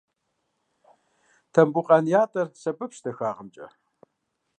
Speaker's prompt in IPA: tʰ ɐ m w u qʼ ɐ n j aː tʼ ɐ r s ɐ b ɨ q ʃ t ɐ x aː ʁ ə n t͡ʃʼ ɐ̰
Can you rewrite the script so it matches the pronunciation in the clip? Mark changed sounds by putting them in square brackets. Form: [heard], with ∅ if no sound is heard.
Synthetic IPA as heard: tʰ ɐ m [b] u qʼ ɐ n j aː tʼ ɐ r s ɐ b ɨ [p] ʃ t ɐ x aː ʁ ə [m] t͡ʃʼ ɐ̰